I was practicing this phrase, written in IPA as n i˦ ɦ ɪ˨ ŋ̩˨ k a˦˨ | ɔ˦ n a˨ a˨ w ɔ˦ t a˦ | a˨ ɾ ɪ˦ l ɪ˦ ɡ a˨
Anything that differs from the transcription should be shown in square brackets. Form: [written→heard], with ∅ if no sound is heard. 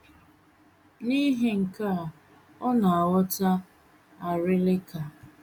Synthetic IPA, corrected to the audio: n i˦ ɦ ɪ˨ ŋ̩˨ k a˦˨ | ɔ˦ n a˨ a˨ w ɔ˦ t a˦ | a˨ ɾ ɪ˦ l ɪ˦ [ɡ→k] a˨